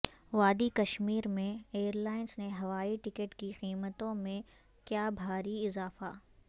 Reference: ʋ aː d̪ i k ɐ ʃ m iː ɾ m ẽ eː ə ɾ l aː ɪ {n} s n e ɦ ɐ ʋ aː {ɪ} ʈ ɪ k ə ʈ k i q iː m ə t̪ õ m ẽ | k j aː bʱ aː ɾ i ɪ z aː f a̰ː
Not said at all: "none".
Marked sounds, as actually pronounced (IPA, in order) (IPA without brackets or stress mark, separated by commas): n, i